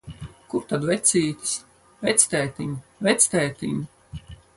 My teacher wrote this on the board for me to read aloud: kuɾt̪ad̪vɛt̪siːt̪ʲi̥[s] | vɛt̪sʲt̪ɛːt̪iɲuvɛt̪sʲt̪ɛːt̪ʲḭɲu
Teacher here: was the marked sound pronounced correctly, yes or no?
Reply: yes